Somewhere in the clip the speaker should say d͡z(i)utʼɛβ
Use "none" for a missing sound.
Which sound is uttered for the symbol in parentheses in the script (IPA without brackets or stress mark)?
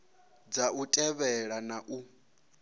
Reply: a